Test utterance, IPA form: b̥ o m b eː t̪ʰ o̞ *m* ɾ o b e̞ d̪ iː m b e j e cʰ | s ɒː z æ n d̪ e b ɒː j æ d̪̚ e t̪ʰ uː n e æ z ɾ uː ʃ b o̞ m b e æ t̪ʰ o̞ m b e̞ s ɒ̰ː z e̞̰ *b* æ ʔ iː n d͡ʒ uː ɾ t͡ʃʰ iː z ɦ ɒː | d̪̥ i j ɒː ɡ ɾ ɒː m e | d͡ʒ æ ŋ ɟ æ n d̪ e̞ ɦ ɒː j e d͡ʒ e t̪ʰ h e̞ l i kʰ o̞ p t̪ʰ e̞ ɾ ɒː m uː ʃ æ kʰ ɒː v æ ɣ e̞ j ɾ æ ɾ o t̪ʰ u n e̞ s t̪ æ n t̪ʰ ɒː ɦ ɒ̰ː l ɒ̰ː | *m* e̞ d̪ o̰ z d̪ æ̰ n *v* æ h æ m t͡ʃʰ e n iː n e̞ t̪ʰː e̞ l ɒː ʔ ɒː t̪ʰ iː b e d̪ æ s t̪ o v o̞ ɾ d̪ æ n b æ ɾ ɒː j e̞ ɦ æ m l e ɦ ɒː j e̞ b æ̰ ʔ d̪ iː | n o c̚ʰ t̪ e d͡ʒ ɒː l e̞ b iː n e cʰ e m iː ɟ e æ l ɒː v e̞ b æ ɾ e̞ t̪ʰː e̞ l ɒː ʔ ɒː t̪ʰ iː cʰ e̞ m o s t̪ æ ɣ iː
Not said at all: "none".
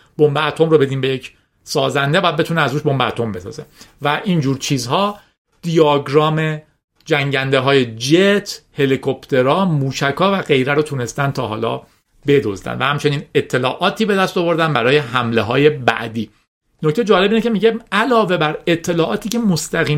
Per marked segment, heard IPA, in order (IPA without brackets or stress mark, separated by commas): m, v, b, v